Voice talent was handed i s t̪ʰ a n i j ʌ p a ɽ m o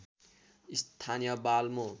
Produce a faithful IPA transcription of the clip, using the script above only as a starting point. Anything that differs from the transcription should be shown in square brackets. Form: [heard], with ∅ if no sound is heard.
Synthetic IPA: i s t̪ʰ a n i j ʌ [b] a [l] m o